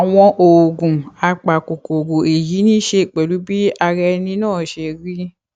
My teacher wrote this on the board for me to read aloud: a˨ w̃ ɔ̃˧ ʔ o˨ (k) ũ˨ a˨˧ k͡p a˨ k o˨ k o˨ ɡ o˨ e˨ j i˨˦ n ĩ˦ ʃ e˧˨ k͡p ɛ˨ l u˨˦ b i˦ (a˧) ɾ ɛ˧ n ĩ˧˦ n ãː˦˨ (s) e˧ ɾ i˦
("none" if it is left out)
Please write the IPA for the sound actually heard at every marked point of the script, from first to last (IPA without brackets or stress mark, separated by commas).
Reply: ɡ, a˧, ʃ